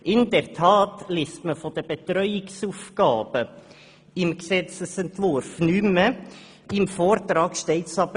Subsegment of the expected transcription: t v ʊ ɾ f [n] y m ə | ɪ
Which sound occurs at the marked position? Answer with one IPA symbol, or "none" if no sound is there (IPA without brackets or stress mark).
n